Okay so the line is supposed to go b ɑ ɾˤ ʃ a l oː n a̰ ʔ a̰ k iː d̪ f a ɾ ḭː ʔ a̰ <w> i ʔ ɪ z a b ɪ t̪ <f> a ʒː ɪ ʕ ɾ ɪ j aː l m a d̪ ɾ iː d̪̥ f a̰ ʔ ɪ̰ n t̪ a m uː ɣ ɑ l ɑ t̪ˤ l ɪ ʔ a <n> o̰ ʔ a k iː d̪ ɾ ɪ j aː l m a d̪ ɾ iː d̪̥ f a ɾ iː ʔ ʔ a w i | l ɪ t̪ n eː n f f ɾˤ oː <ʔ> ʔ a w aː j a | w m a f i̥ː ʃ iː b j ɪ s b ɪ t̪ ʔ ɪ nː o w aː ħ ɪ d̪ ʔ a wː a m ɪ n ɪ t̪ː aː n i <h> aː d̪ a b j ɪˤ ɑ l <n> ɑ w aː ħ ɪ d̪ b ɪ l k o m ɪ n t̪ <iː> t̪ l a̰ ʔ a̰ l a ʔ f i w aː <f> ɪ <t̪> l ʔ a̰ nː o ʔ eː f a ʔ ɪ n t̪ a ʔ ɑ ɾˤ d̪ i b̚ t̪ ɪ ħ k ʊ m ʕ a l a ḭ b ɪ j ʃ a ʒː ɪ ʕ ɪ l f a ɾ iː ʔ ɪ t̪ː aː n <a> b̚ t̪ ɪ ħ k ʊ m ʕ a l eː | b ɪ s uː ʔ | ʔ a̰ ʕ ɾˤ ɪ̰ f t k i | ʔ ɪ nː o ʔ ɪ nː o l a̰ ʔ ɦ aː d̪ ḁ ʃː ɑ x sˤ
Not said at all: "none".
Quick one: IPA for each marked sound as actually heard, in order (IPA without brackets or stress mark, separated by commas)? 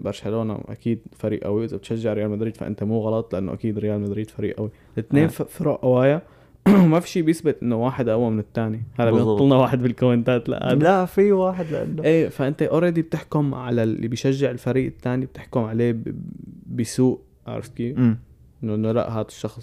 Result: w, ʃ, nː, ʔ, h, n, aː, ħ, d̪, i